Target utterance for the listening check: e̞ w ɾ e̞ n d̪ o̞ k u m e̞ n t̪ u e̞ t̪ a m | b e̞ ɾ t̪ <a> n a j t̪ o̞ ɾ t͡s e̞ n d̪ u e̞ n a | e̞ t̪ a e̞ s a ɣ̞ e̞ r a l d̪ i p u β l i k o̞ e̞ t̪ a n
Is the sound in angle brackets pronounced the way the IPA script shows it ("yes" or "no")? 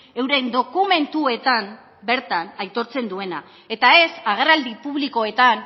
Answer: yes